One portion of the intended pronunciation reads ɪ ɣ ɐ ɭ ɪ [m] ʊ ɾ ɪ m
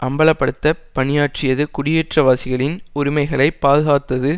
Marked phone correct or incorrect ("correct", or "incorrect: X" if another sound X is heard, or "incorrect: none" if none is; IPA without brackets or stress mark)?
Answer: incorrect: n